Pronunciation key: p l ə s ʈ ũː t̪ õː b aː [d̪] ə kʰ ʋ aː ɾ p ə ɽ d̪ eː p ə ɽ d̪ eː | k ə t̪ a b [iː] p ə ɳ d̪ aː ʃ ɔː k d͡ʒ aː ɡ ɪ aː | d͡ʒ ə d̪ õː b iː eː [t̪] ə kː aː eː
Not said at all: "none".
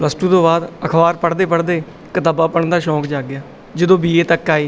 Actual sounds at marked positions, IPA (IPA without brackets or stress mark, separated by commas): d̪, aː, t̪